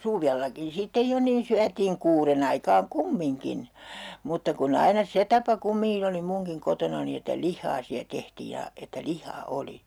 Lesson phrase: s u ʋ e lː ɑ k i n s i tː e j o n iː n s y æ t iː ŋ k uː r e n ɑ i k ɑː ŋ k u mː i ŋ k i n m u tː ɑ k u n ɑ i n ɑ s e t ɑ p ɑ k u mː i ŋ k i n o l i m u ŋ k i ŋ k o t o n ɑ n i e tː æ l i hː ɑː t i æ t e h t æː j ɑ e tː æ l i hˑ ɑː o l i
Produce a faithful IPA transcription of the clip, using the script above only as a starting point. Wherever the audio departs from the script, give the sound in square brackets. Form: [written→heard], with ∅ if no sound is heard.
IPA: s u ʋ e lː ɑ k i n s i tː e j o n iː n s y æ t iː ŋ k uː r e n ɑ i k ɑː ŋ k u mː i ŋ k i n m u tː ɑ k u n ɑ i n ɑ s e t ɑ p ɑ k u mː i ŋ k i n o l i m u ŋ k i ŋ k o t o n ɑ n i e tː æ l i hː ɑː [t→s] i æ t e h t [æː→iː] j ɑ e tː æ l i hˑ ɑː o l i

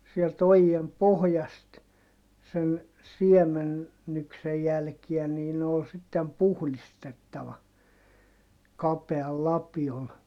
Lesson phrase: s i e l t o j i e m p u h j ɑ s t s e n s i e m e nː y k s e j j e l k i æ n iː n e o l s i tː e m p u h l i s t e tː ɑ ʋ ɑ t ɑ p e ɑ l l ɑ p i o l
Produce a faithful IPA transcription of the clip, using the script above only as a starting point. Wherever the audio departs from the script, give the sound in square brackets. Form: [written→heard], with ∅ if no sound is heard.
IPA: s i e l t o j i e m p [u→o] h j ɑ s t s e n s i e m e nː y k s e j j [e→æ] l k i æ n iː n e o l s i tː e m p u h l i s t e tː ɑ ʋ ɑ [t→k] ɑ p e ɑ l l ɑ p i o l

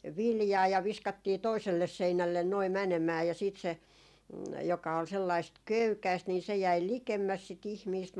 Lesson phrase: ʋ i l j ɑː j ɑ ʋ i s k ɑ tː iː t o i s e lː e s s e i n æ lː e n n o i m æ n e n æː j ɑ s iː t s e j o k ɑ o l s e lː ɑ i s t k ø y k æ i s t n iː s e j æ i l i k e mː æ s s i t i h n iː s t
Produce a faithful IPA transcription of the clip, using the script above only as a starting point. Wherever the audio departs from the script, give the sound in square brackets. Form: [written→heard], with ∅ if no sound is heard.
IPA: ʋ i l j ɑː j ɑ ʋ i s k ɑ tː iː t o i s e lː e s s e i n æ lː e n n o i m æ n e [n→m] æː j ɑ s iː t s e j o k ɑ o l s e lː ɑ i s t k ø y k æ i s t n iː s e j æ i l i k e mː æ s s i t i h [n→m] iː s t

